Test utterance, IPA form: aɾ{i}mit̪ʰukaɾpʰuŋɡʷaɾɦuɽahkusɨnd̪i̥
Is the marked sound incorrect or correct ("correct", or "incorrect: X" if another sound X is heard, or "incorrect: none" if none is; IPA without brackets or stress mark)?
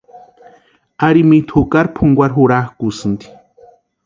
correct